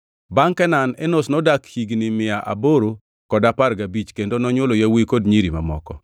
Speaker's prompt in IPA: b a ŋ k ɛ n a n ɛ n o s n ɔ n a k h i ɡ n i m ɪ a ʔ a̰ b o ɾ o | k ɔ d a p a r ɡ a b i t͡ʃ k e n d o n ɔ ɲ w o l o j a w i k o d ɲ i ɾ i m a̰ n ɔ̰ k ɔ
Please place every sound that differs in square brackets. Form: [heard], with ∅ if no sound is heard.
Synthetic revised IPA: b a ŋ k ɛ n a n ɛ n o s n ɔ [d] a k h i ɡ n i m ɪ a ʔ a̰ b o ɾ o | k ɔ d a p a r ɡ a b i t͡ʃ k e n d o n ɔ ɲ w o l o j a w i k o d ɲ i ɾ i m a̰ [m] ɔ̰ k ɔ